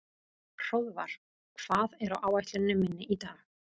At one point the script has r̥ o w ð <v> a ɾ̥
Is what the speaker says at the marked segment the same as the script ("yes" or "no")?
yes